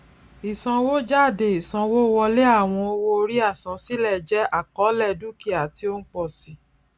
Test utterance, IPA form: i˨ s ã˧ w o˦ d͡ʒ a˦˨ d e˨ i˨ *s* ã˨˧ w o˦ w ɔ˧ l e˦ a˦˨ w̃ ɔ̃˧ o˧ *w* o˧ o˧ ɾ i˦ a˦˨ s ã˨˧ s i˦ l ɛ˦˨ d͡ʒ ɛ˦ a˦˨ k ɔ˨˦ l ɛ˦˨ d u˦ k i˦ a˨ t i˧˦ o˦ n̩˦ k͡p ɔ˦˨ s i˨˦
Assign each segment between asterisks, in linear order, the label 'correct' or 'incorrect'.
correct, correct

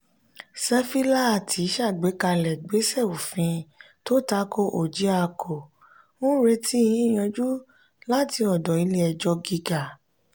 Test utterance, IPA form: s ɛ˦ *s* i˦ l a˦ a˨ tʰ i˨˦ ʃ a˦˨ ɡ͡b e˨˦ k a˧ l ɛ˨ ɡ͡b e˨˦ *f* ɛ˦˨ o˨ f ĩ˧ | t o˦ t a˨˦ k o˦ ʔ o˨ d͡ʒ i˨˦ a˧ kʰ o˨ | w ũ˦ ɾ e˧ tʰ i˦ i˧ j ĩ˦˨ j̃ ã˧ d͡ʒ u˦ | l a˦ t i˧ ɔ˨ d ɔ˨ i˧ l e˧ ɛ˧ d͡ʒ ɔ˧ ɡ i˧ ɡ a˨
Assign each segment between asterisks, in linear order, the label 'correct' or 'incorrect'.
incorrect, incorrect

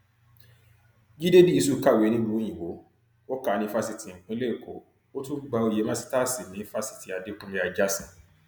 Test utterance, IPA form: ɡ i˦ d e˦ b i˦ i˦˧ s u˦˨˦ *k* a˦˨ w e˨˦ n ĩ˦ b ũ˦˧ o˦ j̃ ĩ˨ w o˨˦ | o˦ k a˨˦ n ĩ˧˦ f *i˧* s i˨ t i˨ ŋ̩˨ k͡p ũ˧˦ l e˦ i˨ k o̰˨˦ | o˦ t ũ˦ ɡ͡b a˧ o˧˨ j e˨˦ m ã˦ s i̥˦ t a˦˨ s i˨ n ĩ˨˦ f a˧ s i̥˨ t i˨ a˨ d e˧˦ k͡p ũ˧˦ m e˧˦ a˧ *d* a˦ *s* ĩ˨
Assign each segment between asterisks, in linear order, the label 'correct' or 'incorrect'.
correct, incorrect, incorrect, correct

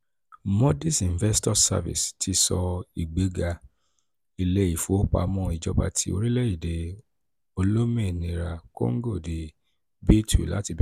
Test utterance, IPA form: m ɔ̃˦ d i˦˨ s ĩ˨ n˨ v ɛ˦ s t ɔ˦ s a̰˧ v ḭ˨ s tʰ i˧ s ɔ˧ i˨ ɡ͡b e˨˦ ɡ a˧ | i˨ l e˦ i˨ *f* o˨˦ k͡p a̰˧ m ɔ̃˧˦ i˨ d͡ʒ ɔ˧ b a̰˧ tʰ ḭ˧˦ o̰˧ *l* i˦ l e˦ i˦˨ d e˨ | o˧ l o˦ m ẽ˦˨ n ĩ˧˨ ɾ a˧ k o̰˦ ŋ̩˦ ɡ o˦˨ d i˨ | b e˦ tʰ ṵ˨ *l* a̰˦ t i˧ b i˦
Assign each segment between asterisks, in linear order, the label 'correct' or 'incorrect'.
correct, incorrect, correct

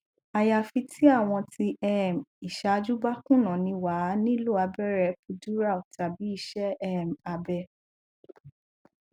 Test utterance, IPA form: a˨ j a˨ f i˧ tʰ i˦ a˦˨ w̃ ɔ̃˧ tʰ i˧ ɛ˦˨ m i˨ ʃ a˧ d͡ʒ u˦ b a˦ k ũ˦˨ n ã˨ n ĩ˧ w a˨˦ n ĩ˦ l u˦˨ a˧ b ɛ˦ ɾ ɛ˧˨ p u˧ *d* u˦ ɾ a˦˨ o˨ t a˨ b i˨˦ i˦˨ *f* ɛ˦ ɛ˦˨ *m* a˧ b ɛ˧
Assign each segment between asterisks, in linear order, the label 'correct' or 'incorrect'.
correct, incorrect, correct

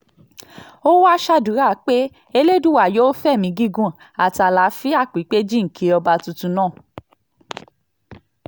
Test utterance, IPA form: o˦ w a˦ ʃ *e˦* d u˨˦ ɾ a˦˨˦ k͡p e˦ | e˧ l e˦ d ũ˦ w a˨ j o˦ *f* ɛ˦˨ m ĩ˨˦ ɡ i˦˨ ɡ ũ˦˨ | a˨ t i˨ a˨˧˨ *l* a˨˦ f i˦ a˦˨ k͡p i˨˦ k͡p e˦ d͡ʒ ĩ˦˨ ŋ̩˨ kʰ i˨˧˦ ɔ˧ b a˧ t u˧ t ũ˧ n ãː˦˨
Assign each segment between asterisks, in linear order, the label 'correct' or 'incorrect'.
incorrect, correct, correct

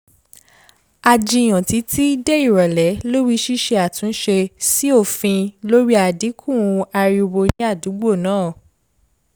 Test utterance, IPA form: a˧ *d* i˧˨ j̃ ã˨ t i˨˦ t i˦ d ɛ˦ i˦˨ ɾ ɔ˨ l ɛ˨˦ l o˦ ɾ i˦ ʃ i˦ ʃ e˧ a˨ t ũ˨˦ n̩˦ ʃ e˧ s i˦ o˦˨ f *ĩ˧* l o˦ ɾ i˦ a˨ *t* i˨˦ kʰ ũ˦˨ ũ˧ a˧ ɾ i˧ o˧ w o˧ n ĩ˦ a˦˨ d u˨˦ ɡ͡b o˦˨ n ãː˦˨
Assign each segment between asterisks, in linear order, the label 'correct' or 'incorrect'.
incorrect, correct, incorrect

